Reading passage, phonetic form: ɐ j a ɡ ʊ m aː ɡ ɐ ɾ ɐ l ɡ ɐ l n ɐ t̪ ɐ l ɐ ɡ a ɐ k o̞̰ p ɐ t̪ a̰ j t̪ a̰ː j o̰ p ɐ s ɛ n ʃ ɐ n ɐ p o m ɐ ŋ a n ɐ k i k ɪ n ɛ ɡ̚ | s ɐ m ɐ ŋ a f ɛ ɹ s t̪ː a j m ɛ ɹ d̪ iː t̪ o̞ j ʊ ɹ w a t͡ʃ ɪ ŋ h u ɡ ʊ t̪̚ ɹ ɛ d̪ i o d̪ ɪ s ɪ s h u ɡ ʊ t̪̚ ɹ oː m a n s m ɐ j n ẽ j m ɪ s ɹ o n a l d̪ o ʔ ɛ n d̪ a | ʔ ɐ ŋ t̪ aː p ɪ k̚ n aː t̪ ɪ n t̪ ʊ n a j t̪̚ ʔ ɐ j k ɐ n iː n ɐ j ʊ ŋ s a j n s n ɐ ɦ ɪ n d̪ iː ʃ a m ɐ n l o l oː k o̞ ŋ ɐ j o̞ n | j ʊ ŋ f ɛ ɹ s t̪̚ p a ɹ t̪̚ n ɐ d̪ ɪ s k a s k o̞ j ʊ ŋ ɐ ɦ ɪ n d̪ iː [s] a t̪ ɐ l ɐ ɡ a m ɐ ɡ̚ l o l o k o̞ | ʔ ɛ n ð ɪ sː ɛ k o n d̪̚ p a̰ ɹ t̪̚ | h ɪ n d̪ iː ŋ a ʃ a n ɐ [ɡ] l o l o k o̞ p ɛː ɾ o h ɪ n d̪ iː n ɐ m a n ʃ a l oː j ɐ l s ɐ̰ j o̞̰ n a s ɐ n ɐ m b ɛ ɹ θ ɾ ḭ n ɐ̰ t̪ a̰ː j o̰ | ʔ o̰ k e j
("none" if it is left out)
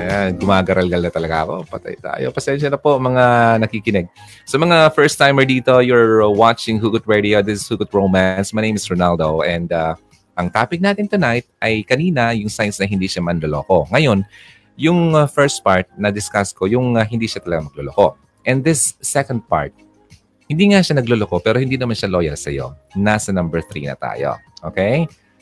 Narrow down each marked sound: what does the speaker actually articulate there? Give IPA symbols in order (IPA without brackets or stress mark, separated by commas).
ʃ, ɡ